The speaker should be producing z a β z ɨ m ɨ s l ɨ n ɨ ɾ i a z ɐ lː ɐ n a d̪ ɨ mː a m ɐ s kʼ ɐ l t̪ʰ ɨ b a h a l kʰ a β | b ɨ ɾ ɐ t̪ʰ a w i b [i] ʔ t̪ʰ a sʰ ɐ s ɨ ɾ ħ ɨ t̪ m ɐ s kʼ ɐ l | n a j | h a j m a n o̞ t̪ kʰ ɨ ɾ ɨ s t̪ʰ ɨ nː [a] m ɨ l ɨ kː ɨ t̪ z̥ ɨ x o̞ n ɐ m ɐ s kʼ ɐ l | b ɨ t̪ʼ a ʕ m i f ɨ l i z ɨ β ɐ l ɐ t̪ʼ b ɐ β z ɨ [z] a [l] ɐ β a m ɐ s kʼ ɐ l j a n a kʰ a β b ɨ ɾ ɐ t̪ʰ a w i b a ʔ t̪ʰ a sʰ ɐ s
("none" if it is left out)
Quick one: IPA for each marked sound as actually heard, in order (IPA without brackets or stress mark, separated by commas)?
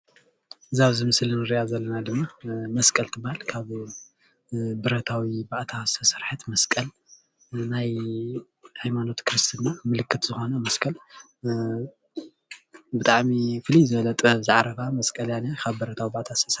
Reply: a, a, ʕ, ɾ